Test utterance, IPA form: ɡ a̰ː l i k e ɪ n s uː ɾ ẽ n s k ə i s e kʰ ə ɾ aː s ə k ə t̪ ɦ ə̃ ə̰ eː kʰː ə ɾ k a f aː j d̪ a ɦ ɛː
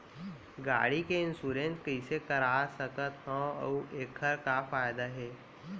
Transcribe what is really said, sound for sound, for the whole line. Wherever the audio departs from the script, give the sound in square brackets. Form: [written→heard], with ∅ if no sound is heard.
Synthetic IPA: ɡ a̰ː [l→ɽ] i k e ɪ n s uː ɾ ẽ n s k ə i s e [kʰ→k] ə ɾ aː s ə k ə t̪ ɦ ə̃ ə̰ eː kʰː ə ɾ k a f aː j d̪ a ɦ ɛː